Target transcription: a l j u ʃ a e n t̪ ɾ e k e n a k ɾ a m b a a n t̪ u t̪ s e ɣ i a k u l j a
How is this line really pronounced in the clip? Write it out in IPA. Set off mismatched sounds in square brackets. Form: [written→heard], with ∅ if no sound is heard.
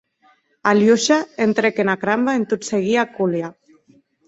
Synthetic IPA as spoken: a l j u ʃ a e n t̪ ɾ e k e n a k ɾ a m b a [a→e] n t̪ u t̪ s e ɣ i a k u l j a